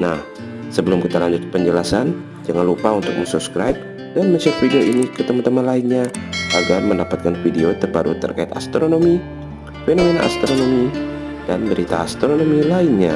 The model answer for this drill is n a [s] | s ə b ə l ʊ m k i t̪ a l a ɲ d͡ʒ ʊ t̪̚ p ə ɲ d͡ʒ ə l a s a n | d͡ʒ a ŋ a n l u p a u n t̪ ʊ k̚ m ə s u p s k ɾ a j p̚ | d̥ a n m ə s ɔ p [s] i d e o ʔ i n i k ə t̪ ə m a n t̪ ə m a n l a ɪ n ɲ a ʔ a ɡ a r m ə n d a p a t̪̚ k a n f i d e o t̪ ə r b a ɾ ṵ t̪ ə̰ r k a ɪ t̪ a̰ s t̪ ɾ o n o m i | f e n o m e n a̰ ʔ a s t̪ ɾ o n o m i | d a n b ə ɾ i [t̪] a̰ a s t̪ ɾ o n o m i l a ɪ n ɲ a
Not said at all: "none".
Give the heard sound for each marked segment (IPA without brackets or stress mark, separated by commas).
h, f, t̪